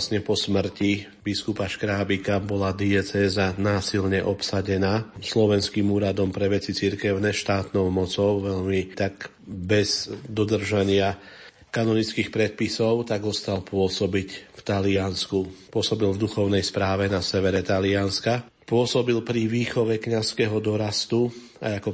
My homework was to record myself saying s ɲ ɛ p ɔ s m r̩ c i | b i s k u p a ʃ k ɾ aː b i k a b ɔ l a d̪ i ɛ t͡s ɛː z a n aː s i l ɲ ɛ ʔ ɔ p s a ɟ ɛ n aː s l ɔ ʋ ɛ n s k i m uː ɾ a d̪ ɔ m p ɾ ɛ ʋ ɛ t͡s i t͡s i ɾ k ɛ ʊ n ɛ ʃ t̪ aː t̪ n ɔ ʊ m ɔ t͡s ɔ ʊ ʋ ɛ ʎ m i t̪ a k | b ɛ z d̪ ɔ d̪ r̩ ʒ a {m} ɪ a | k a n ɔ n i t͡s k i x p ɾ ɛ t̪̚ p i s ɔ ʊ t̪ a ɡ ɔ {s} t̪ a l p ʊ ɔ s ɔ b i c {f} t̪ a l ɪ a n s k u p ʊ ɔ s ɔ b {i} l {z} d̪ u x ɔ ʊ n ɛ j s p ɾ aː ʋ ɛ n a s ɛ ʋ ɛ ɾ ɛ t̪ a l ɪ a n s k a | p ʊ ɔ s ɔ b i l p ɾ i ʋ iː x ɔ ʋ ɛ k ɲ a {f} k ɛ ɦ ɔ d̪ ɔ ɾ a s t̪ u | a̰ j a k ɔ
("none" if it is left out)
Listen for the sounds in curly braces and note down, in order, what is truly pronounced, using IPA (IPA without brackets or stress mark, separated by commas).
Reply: ɲ, s, f, i, v, s